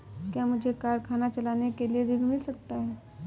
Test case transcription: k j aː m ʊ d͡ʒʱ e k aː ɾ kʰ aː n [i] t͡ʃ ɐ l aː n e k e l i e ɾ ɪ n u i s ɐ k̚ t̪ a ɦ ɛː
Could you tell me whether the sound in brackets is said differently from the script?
yes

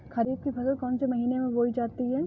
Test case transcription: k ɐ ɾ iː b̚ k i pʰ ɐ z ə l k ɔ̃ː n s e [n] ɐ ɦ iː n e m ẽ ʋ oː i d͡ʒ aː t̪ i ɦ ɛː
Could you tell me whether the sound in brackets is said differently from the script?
yes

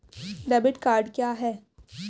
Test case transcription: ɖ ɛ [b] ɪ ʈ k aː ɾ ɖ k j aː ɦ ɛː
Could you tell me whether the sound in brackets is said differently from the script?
no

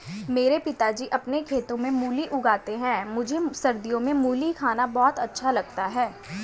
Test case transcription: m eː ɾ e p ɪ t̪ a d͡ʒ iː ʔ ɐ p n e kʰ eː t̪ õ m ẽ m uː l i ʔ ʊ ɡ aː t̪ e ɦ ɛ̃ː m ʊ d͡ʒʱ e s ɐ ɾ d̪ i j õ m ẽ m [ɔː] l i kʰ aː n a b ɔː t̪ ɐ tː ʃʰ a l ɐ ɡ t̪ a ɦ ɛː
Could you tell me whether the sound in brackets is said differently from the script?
yes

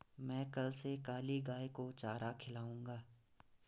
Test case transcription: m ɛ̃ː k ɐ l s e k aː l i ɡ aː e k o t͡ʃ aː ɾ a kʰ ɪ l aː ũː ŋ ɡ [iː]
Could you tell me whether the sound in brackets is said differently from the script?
yes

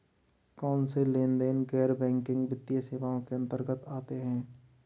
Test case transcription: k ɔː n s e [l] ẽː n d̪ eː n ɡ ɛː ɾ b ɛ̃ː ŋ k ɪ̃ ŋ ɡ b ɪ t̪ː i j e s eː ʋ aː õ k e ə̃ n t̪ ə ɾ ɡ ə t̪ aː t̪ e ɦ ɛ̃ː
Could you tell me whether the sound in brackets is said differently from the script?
no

